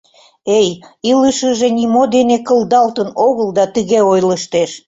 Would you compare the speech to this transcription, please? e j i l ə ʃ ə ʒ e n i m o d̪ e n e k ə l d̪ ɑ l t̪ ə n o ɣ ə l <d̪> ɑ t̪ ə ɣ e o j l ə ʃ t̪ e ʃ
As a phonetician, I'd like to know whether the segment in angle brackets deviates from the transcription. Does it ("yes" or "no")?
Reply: no